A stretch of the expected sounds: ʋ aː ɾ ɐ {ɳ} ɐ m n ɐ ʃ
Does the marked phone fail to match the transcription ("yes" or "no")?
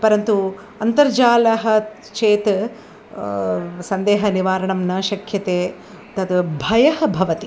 no